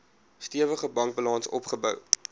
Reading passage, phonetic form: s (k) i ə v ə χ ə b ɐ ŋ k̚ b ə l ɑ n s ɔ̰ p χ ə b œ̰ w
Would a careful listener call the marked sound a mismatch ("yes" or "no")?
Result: yes